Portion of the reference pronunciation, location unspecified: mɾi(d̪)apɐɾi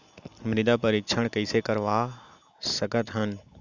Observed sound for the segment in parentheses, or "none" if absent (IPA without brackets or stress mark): d̪